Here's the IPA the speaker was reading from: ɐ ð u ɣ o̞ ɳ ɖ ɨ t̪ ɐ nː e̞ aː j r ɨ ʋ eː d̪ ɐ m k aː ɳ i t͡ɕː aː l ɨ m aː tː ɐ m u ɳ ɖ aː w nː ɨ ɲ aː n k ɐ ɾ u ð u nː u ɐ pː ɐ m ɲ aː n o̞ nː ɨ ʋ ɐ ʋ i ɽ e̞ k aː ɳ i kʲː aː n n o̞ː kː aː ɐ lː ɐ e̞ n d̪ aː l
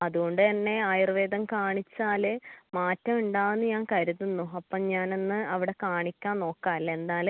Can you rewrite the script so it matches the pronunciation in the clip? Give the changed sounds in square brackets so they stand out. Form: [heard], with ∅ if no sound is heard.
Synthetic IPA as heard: ɐ ð u ɣ o̞ ɳ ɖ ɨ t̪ ɐ nː e̞ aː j r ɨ ʋ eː d̪ ɐ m k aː ɳ i t͡ɕː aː l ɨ m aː tː ɐ m u ɳ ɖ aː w nː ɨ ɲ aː n k ɐ ɾ u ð u nː u ɐ pː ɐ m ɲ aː n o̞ nː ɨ [∅] ɐ ʋ i ɽ e̞ k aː ɳ i kʲː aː n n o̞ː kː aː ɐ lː ɐ e̞ n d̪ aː l